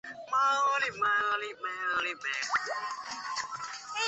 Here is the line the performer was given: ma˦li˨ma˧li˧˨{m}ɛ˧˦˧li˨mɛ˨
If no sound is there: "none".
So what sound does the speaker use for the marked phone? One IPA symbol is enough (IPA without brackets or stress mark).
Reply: m